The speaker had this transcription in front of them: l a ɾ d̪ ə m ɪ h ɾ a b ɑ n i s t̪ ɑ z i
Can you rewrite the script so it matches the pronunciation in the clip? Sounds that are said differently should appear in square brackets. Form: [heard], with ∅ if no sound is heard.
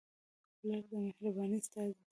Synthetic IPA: l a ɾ d̪ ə m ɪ h ɾ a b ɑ n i s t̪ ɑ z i